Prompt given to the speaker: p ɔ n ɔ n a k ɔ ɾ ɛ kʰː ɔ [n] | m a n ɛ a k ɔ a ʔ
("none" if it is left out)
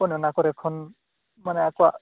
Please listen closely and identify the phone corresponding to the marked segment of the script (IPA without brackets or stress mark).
n